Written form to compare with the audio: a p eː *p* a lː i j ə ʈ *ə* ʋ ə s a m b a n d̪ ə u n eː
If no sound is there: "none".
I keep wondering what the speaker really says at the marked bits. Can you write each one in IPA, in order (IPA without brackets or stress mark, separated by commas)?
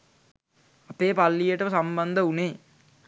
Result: p, ə